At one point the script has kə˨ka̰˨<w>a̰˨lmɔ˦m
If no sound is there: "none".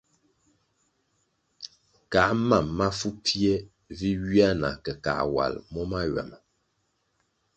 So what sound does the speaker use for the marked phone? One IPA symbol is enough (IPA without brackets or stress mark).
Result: w